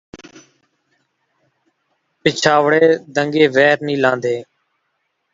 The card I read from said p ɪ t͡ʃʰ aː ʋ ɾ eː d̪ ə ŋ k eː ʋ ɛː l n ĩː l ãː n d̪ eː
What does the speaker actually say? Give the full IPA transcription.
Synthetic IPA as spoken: p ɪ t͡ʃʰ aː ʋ ɽ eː d̪ ə ŋ ɡ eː ʋ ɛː ɾ n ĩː l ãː n d̪ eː